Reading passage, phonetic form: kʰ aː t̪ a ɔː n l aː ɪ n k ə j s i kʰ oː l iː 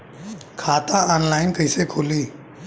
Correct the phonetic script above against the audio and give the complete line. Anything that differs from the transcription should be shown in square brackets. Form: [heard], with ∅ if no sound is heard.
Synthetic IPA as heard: kʰ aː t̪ a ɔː n l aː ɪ n k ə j s [e] kʰ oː l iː